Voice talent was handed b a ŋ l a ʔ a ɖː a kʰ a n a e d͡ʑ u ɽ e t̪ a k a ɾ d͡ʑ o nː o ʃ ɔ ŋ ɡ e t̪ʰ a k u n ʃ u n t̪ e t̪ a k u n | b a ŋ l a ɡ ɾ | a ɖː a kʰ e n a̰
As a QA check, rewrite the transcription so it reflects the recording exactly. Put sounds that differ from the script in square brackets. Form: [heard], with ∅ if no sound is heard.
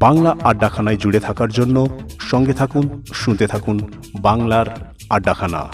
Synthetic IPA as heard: b a ŋ l a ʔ a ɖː a kʰ a n a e d͡ʑ u ɽ e [t̪ʰ] a k a ɾ d͡ʑ o nː o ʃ ɔ ŋ ɡ e t̪ʰ a k u n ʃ u n t̪ e [t̪ʰ] a k u n | b a ŋ l a [∅] ɾ | a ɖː a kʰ [a] n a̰